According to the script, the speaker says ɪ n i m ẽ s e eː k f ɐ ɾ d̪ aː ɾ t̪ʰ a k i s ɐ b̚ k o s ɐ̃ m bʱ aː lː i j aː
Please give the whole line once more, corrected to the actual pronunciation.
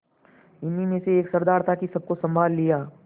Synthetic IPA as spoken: ɪ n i m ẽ s e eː k s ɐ ɾ d̪ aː ɾ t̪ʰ a k i s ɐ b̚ k o s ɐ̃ m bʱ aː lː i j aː

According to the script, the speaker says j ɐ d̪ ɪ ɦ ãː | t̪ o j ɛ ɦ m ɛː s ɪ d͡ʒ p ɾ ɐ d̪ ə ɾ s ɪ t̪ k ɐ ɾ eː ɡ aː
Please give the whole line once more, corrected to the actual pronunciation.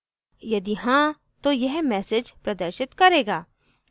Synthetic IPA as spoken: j ɐ d̪ i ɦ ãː | t̪ o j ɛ ɦ m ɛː s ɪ d͡ʒ p ɾ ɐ d̪ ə ɾ ʃ ɪ t̪ k ɐ ɾ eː ɡ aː

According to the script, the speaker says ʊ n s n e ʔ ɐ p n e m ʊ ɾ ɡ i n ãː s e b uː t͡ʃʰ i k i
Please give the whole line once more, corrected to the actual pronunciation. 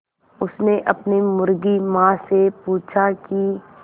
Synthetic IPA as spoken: ʊ s n e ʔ ɐ p n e m ʊ ɾ ɡ i m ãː s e p uː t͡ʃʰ a k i

